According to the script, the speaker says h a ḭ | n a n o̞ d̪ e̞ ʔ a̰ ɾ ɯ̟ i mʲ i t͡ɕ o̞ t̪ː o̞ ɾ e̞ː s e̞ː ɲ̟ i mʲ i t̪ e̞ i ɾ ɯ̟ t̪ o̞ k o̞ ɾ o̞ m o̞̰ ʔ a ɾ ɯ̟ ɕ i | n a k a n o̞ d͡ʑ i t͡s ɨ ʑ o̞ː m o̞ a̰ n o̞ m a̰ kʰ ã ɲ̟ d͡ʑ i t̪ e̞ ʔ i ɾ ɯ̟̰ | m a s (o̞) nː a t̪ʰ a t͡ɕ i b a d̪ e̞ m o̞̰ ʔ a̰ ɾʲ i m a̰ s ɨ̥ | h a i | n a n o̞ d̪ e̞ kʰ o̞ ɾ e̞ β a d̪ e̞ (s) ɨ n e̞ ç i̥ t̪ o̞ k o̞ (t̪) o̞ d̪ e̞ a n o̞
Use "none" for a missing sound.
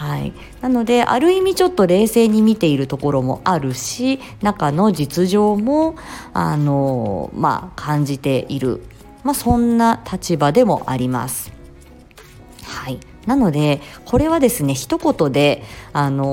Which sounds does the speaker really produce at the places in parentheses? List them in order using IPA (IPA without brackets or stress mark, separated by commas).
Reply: õ̞, s, t̪